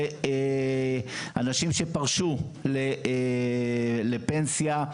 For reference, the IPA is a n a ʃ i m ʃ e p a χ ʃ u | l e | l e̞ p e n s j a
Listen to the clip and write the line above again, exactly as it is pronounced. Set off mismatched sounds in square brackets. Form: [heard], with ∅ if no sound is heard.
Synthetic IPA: a n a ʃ i m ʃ e p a [ʁ] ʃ u | l e | l e̞ p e n s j a